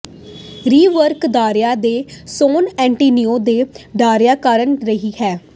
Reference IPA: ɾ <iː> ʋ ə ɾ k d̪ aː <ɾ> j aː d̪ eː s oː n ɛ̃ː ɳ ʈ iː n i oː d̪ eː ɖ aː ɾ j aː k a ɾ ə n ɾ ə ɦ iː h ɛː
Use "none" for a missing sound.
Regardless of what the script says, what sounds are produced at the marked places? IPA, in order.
iː, ɾ

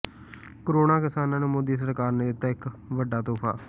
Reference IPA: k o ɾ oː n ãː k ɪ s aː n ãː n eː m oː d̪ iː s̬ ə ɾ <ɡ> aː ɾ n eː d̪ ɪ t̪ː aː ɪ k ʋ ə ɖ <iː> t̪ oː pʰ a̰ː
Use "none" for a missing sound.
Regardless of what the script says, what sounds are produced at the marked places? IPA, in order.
k, aː

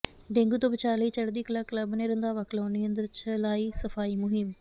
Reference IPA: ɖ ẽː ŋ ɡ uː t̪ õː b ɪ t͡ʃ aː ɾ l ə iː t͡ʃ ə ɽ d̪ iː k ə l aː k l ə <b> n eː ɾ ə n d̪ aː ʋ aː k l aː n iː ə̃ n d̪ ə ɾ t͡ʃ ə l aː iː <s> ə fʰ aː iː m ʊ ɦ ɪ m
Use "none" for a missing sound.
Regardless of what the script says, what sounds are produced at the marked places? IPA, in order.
b, s

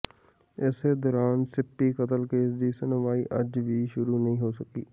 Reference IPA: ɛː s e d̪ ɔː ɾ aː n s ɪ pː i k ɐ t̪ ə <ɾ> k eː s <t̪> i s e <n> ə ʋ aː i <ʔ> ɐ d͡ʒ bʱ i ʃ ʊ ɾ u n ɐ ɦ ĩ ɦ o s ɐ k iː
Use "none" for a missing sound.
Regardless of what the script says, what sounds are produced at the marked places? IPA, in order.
l, d̪, n, ʔ

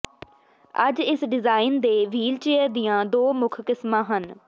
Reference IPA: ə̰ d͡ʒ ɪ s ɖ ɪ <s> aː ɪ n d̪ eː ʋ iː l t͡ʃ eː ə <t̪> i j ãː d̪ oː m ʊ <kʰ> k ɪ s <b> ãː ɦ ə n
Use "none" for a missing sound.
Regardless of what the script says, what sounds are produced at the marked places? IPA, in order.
z, d̪, kʰ, m

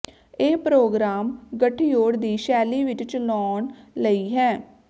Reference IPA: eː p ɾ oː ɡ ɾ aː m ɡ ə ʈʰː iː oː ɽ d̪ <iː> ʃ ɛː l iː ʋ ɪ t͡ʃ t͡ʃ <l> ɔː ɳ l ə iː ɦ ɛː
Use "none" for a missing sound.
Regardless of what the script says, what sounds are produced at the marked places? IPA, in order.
iː, l

